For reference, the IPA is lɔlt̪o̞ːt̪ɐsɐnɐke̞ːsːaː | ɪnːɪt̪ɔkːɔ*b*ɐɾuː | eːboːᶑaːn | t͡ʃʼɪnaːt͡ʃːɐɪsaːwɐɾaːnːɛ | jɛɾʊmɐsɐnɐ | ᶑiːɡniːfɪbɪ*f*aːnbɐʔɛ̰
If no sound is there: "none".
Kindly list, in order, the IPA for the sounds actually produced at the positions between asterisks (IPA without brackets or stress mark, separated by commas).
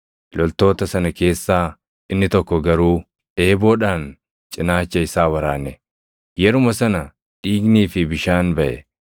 ɡ, ʃ